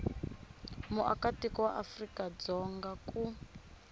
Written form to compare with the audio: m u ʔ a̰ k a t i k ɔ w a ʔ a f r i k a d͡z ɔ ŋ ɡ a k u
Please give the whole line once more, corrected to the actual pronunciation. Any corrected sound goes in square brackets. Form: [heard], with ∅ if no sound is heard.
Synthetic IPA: m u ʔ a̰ k a t i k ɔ w a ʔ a f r i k a d͡z ɔ ŋ ɡ a k u